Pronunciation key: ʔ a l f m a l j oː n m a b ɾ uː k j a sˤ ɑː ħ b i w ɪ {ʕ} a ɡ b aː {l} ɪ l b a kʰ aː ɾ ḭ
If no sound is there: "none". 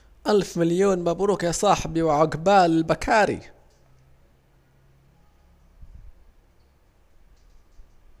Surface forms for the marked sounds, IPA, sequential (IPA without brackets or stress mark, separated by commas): ʕ, l